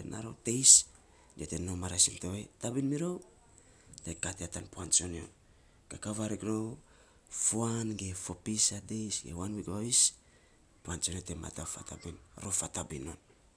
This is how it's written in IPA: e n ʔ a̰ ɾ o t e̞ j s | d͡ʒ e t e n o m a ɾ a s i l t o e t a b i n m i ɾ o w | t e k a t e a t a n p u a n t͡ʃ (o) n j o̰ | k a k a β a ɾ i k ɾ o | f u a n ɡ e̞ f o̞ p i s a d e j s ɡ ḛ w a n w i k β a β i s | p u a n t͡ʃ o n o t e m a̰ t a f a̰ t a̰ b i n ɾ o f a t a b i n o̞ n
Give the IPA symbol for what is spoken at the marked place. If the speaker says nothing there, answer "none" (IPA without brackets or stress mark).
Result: o